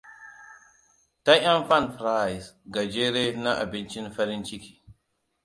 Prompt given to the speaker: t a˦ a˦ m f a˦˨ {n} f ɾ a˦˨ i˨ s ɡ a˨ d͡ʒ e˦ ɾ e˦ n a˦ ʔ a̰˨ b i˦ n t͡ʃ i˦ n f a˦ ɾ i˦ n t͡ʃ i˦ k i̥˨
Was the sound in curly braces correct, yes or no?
yes